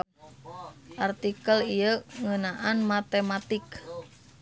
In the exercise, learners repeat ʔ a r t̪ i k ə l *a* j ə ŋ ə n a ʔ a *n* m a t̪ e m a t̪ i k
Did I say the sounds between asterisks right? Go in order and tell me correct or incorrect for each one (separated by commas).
incorrect, correct